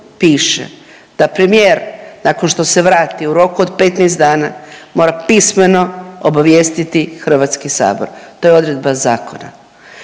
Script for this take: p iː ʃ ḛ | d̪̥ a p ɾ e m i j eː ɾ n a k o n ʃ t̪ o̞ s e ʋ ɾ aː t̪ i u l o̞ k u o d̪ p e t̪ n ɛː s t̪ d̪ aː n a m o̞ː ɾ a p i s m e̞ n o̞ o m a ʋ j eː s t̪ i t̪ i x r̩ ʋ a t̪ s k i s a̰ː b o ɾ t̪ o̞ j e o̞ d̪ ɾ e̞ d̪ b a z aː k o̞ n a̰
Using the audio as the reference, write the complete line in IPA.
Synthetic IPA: p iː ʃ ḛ | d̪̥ a p ɾ e m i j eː ɾ n a k o n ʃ t̪ o̞ s e ʋ ɾ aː t̪ i u ɾ o̞ k u o d̪ p e t̪ n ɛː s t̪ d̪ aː n a m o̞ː ɾ a p i s m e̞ n o̞ o b a ʋ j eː s t̪ i t̪ i x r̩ ʋ a t̪ s k i s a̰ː b o ɾ t̪ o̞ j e o̞ d̪ ɾ e̞ d̪ b a z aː k o̞ n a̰

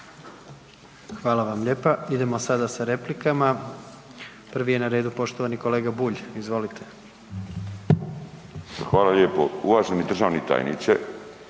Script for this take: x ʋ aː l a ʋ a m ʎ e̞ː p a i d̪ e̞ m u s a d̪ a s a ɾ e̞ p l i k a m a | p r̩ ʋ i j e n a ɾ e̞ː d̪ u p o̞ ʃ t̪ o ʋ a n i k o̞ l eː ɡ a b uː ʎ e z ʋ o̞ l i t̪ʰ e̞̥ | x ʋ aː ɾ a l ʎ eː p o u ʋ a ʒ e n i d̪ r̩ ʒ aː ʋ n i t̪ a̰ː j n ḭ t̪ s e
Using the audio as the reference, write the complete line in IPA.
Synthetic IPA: x ʋ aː l a ʋ a m ʎ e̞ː p a i d̪ e̞ m o s a d̪ a s a ɾ e̞ p l i k a m a | p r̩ ʋ i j e n a ɾ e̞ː d̪ u p o̞ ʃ t̪ o ʋ a n i k o̞ l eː ɡ a b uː ʎ i z ʋ o̞ l i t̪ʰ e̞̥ | x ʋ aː l a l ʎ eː p o u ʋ a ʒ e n i d̪ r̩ ʒ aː ʋ n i t̪ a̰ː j n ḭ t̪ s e

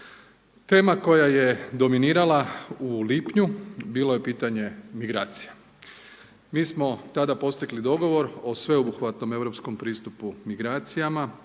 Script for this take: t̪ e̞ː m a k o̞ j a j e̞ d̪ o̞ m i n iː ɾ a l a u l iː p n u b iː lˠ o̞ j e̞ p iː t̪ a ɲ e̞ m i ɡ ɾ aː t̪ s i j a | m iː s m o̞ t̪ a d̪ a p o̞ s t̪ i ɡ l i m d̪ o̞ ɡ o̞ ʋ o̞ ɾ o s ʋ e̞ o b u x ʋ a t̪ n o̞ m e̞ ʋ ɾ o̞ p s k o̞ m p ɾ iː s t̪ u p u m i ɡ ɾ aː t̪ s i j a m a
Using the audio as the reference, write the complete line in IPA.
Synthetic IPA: t̪ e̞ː m a k o̞ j a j e̞ d̪ o̞ m i n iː ɾ a l a u l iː p ɲ u b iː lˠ o̞ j e̞ p iː t̪ a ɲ e̞ m i ɡ ɾ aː t̪ s i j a | m iː s m o̞ t̪ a d̪ a p o̞ s t̪ i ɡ l i d̪ o̞ ɡ o̞ ʋ o̞ ɾ o s ʋ e̞ o b u x ʋ a t̪ n o̞ m e̞ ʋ ɾ o̞ p s k o̞ m p ɾ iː s t̪ u p u m i ɡ ɾ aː t̪ s i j a m a

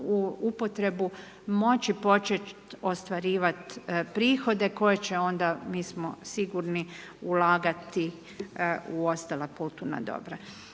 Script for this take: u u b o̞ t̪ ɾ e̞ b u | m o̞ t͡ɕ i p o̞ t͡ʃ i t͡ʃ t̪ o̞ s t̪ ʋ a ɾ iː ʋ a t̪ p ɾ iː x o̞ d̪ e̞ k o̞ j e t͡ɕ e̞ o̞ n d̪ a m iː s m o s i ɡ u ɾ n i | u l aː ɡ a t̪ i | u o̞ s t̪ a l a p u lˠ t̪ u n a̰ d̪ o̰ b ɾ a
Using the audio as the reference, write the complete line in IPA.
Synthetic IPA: u u p o̞ t̪ ɾ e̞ b u | m o̞ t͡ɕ i p o̞ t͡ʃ e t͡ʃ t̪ o̞ s t̪ ʋ a ɾ iː ʋ a t̪ p ɾ iː x o̞ d̪ e̞ k o̞ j e t͡ɕ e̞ o̞ n d̪ a m iː s m o s i ɡ u ɾ n i | u l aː ɡ a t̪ i | u o̞ s t̪ a l a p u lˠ t̪ u n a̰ d̪ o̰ b ɾ a

